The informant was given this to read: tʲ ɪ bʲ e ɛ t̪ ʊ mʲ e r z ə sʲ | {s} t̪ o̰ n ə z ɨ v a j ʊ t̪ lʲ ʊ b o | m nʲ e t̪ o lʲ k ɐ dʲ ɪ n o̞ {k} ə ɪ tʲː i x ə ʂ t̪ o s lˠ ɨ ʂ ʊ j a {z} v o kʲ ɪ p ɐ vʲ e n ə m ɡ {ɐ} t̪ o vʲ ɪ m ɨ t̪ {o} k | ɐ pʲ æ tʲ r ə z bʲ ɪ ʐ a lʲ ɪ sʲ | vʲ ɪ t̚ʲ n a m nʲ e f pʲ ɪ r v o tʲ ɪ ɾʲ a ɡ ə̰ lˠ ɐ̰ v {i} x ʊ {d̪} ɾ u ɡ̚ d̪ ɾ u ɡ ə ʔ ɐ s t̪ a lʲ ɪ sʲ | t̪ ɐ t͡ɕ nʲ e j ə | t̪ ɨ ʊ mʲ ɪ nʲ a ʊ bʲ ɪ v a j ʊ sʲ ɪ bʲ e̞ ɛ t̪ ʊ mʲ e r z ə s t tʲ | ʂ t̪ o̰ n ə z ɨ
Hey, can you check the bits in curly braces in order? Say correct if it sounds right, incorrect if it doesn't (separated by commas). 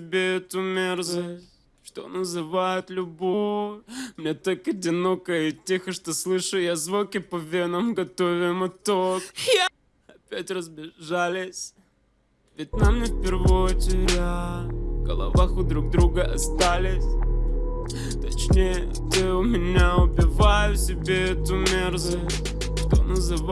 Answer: incorrect, correct, correct, correct, correct, incorrect, correct